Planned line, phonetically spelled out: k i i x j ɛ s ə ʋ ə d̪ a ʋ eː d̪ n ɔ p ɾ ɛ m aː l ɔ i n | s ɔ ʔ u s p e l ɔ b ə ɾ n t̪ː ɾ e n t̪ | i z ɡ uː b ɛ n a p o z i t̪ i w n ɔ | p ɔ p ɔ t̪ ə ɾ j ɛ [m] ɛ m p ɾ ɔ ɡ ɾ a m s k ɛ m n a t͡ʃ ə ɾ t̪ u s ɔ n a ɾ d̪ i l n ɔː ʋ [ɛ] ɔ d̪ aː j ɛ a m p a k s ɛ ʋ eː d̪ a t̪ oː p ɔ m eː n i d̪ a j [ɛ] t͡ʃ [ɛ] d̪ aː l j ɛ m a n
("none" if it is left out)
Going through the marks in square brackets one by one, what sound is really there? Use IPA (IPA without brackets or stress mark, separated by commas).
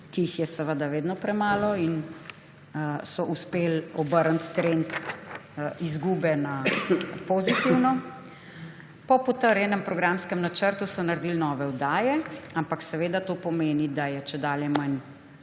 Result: n, ɛ, ɛ, ɛ